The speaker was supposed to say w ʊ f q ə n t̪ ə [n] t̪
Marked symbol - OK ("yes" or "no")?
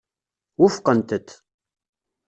no